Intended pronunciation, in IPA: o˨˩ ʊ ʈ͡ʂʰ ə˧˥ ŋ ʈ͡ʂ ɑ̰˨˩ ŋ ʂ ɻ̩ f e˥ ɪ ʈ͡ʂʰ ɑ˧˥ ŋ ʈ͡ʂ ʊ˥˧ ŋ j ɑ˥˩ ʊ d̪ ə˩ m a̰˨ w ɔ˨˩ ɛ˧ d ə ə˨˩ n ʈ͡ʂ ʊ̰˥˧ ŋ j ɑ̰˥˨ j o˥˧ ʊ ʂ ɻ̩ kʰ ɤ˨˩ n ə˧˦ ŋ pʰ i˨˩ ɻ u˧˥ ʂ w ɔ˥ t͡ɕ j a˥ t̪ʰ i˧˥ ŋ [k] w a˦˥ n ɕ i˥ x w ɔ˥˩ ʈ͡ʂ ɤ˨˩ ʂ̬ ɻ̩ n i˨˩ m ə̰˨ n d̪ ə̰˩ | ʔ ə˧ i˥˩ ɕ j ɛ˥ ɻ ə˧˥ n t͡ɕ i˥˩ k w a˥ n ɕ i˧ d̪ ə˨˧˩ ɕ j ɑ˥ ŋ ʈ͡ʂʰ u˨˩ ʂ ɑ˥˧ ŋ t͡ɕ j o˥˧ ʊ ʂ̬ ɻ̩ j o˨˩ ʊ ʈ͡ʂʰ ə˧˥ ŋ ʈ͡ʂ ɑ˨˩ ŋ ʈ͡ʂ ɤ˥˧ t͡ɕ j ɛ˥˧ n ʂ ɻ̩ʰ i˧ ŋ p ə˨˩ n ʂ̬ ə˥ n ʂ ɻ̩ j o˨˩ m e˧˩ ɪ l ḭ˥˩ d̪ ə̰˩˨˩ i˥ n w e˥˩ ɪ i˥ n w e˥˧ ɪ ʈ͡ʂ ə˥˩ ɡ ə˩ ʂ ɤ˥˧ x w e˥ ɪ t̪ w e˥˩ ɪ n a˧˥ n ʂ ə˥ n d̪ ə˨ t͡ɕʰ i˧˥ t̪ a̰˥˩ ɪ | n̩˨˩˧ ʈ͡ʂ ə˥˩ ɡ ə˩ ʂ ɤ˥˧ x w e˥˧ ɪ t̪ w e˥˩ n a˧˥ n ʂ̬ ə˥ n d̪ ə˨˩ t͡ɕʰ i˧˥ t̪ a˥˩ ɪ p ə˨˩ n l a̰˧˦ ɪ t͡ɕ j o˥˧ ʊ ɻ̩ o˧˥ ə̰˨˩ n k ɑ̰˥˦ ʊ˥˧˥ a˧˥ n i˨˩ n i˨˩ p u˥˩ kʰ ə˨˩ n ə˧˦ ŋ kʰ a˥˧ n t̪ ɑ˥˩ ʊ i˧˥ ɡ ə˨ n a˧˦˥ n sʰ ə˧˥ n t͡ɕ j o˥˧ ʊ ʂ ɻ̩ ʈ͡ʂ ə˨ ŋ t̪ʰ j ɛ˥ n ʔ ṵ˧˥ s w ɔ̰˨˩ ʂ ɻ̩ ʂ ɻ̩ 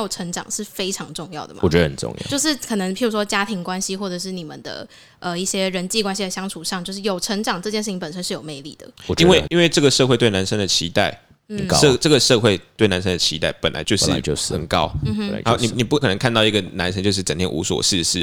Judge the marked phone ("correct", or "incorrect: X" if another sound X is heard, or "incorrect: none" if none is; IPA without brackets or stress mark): correct